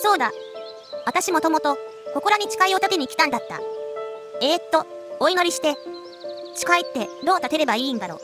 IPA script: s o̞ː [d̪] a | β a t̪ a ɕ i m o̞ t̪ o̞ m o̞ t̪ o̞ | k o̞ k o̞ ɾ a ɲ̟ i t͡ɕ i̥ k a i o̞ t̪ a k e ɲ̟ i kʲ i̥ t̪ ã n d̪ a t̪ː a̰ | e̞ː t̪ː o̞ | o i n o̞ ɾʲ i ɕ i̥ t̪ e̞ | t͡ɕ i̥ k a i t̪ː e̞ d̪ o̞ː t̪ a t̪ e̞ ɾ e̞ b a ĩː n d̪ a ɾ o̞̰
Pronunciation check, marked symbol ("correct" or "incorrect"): correct